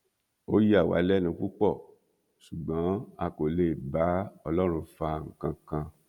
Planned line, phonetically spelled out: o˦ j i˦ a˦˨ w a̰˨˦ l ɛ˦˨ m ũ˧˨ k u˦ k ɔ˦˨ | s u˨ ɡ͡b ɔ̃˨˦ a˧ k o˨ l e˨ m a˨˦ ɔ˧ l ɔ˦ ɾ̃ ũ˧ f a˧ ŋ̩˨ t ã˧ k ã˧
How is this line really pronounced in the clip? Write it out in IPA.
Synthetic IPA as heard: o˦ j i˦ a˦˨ w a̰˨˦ l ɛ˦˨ n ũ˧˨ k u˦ k͡p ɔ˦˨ | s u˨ ɡ͡b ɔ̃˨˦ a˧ k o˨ l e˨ b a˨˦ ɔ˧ l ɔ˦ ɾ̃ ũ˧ f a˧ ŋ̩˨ k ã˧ k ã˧